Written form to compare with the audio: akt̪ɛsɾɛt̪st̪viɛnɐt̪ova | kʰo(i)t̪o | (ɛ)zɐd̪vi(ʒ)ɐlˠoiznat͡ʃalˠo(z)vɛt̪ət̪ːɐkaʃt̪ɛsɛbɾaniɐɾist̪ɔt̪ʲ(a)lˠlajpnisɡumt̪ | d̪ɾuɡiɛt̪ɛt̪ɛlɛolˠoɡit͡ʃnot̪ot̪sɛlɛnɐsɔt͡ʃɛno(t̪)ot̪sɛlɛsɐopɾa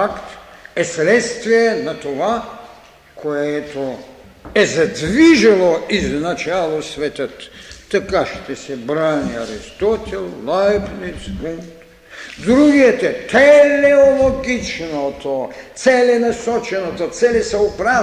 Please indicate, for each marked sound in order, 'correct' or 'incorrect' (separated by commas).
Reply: incorrect, correct, correct, incorrect, incorrect, correct